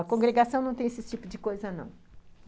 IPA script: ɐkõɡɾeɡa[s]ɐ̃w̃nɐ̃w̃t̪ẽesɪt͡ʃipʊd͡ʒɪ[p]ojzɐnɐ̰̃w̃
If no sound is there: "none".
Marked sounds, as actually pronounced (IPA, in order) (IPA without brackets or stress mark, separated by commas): s, k